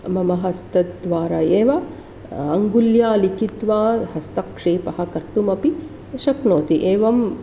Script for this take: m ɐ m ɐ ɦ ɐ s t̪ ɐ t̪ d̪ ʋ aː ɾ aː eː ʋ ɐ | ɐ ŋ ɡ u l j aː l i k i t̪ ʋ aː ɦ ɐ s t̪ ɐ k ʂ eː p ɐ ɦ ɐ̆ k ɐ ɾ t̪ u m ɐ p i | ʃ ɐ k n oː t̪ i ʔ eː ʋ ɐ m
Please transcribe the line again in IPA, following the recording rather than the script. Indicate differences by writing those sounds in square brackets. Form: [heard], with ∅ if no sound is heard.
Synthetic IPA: m ɐ m ɐ ɦ ɐ s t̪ ɐ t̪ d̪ ʋ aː ɾ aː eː ʋ ɐ | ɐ ŋ ɡ u l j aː l i k i t̪ ʋ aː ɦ ɐ s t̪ ɐ k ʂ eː p ɐ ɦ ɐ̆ k ɐ ɾ t̪ u m ɐ p i | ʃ ɐ k n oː t̪ i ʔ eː ʋ ɐ m